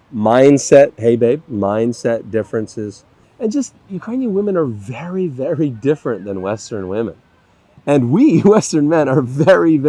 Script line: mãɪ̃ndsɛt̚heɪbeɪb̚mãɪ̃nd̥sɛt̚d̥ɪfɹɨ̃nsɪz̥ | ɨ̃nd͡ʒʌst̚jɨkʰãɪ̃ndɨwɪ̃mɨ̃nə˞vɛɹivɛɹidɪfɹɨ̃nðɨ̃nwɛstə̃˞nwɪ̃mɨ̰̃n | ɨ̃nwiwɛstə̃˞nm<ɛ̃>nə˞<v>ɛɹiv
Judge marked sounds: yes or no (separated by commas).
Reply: yes, yes